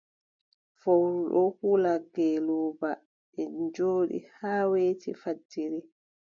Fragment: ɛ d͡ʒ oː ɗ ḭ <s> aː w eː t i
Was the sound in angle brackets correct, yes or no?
no